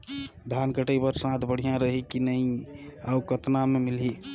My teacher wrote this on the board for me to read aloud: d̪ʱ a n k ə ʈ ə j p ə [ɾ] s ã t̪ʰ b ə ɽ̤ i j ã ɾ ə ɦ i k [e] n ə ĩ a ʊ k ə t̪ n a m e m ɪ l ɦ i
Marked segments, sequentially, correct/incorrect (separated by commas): correct, incorrect